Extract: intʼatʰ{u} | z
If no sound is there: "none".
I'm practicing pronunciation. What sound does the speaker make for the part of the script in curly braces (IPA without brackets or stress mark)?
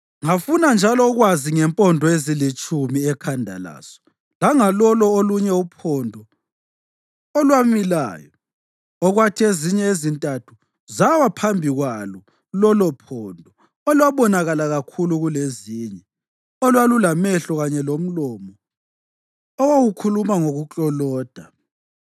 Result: u